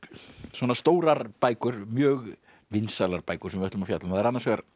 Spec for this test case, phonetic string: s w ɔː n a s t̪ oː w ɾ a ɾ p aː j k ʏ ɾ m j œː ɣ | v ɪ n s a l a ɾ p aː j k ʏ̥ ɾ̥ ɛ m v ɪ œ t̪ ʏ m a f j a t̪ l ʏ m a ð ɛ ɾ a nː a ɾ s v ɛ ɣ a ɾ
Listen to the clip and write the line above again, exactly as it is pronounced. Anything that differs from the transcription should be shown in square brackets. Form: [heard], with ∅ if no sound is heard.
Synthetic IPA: s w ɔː n a s t̪ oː w ɾ a ɾ p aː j k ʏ ɾ m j œː ɣ | v ɪ n s a l a ɾ p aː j k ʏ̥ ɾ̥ ɛ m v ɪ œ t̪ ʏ m a f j a t̪ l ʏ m a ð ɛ ɾ a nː a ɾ s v ɛ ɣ a ɾ